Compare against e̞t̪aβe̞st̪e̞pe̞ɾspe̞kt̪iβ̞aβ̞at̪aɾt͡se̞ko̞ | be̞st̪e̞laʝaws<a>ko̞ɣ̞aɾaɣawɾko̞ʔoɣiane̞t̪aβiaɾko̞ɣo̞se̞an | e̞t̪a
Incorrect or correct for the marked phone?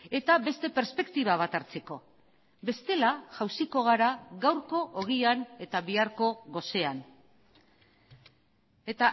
incorrect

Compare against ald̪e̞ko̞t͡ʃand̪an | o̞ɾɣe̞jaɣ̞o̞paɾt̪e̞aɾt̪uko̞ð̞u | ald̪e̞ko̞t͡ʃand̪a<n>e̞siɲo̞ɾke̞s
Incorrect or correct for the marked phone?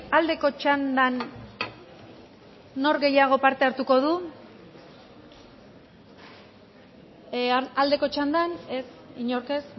correct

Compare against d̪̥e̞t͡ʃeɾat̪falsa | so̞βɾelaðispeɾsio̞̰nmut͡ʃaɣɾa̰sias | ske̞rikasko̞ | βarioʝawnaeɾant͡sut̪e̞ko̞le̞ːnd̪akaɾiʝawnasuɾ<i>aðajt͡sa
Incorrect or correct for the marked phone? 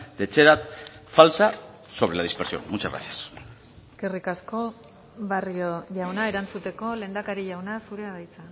incorrect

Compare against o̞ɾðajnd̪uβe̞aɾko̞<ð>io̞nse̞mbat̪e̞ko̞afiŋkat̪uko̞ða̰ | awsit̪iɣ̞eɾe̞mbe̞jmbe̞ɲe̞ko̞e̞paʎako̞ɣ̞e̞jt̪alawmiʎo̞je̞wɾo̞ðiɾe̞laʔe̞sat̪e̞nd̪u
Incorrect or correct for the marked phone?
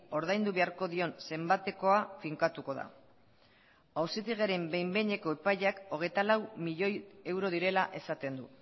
correct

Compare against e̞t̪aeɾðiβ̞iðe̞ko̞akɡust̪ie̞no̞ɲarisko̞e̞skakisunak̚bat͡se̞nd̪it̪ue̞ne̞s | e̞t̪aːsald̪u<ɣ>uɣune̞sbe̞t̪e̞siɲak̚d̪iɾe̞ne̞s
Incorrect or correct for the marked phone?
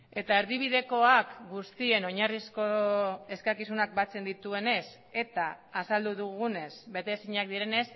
incorrect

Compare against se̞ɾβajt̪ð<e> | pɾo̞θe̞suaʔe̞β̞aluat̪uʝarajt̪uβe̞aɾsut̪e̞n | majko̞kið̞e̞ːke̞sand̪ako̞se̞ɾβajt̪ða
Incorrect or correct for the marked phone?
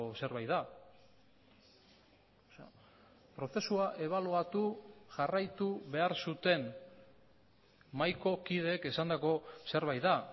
incorrect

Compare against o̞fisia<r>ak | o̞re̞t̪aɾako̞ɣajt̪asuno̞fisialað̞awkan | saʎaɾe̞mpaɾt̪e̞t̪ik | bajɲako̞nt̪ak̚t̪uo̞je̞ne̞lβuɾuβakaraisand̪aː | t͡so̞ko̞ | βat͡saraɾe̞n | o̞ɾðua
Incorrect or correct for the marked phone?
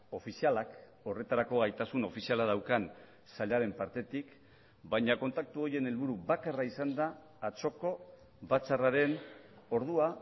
incorrect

